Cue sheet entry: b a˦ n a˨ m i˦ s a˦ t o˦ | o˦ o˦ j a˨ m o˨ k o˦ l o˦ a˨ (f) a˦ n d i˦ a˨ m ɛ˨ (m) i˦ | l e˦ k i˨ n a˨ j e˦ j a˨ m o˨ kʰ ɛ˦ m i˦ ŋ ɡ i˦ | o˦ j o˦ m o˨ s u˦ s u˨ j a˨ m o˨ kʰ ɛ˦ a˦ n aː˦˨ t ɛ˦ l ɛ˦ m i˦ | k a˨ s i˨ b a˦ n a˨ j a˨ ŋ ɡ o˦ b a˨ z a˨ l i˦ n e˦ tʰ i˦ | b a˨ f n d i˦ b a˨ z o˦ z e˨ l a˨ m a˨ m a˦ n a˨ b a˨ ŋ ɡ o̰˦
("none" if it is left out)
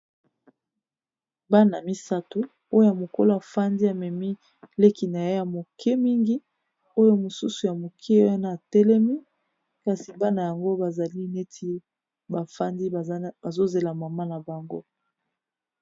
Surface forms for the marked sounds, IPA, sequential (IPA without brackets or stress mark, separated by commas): f, m